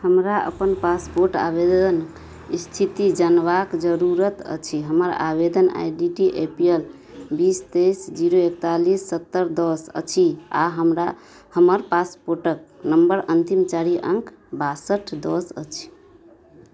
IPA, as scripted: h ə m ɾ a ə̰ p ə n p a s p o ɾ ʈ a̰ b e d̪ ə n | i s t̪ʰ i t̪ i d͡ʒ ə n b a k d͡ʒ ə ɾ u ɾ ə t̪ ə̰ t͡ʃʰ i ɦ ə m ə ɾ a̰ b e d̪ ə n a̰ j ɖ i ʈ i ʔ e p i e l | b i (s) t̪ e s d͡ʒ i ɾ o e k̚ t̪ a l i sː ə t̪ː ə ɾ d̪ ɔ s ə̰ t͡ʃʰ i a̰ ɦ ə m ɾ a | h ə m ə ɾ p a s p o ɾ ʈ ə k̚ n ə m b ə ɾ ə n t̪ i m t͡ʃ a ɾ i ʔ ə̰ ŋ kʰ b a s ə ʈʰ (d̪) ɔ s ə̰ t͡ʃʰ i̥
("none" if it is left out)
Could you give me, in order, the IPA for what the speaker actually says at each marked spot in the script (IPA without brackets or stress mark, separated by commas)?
s, d̪